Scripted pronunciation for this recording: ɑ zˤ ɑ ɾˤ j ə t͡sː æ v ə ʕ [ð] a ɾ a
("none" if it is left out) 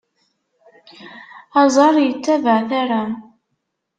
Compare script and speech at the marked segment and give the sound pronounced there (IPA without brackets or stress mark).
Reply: θ